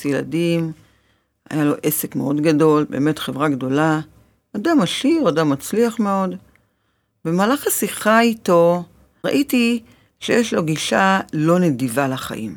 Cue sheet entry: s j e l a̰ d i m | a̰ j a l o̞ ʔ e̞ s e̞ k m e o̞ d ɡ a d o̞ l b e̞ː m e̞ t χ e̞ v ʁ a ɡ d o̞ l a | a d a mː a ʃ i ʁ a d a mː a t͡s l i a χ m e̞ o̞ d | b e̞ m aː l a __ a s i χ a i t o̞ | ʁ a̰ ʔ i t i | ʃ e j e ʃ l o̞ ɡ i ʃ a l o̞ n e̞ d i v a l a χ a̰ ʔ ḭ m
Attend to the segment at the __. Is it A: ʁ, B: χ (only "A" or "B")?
B